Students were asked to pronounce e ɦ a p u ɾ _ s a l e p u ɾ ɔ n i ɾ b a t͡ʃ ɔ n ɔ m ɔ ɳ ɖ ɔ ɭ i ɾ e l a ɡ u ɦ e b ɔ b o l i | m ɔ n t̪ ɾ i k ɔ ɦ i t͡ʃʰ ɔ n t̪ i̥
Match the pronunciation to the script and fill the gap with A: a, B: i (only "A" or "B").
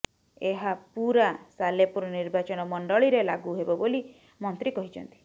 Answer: A